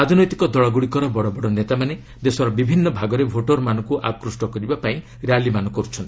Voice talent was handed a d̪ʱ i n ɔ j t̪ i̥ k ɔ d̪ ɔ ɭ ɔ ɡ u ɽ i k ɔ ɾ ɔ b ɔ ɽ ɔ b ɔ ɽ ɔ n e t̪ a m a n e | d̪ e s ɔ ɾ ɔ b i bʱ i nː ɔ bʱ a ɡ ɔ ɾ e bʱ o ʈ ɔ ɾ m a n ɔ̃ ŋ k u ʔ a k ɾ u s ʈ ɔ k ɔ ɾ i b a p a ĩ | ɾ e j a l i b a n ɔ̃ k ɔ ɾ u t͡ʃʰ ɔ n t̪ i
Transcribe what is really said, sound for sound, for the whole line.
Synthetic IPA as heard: a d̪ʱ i n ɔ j t̪ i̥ k ɔ d̪ ɔ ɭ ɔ ɡ u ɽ i k ɔ ɾ ɔ b ɔ ɽ ɔ b ɔ ɽ ɔ n e t̪ a m a n e | d̪ e s ɔ ɾ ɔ b i bʱ i nː ɔ bʱ a ɡ ɔ ɾ e bʱ o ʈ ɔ ɾ m a n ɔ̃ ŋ k u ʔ a k ɾ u s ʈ ɔ k ɔ ɾ i b a p a ĩ | ɾ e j a l i m a n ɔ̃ k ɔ ɾ u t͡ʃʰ ɔ n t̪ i